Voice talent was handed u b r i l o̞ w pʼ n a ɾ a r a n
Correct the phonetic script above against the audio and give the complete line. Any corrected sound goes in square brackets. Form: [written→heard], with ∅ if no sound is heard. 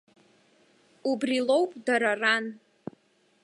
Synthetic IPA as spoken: u b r i l o̞ w pʼ [n→d] a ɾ a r a n